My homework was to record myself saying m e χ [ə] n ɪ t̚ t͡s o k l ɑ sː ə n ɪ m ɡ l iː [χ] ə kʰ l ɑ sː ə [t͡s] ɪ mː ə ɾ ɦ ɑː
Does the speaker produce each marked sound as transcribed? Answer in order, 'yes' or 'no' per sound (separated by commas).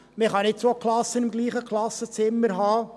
no, yes, yes